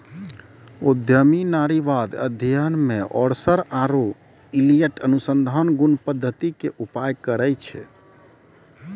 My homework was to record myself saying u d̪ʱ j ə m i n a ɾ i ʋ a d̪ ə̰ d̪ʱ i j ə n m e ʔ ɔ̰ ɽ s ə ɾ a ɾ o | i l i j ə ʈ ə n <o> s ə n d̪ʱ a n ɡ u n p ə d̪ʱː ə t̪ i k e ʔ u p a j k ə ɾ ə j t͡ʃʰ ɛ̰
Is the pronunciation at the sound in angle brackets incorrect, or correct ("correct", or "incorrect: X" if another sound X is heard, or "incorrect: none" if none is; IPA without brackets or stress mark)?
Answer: incorrect: u